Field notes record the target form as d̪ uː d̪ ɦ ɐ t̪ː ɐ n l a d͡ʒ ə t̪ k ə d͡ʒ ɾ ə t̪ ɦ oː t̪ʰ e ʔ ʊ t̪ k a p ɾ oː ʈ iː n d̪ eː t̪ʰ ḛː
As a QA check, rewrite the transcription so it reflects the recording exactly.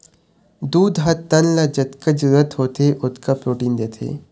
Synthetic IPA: d̪ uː d̪ ɦ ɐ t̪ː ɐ n l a d͡ʒ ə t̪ k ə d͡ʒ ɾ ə t̪ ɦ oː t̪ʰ e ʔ ʊ t̪ k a p ɾ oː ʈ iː n d̪ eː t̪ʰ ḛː